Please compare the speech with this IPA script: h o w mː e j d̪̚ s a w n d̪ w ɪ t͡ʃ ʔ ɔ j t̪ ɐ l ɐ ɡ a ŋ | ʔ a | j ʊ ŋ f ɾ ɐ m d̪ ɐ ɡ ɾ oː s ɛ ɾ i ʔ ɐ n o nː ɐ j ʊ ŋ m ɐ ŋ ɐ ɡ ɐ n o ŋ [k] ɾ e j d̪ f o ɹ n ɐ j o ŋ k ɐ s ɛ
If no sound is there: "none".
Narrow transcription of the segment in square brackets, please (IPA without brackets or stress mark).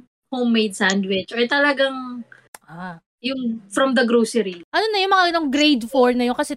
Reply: ɡ